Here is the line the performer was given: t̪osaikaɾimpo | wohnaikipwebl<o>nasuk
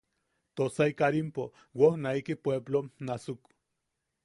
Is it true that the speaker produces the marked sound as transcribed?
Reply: yes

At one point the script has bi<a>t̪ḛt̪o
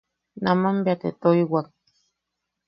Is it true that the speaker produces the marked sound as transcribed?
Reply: yes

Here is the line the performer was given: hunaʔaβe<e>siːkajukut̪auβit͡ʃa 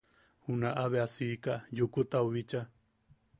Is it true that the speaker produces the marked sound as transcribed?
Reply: no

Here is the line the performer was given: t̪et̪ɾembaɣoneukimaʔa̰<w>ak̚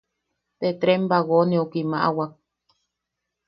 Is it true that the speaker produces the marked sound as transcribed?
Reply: yes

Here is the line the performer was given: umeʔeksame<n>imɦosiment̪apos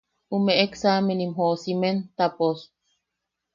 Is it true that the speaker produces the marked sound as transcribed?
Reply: yes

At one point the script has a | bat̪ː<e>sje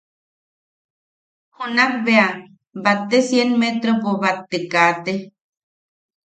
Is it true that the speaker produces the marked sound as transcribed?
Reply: yes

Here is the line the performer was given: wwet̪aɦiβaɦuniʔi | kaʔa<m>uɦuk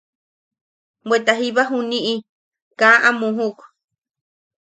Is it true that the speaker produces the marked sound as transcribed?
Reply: yes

